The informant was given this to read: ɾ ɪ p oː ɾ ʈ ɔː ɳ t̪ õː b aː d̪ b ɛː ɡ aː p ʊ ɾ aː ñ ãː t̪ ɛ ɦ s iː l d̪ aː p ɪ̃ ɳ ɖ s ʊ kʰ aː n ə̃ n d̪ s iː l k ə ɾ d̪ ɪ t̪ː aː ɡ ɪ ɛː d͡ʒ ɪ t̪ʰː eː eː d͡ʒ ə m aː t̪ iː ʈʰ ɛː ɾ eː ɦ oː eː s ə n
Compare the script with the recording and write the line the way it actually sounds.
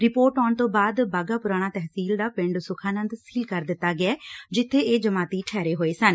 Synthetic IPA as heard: ɾ ɪ p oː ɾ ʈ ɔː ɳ t̪ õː b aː d̪ b aː ɡ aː p ʊ ɾ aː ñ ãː t̪ ɛ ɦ s iː l d̪ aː p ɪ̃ ɳ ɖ s ʊ kʰ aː n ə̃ n d̪ s iː l k ə ɾ d̪ ɪ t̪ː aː ɡ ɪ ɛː d͡ʒ ɪ t̪ʰː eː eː d͡ʒ ə m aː t̪ iː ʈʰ ɛː ɾ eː ɦ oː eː s ə n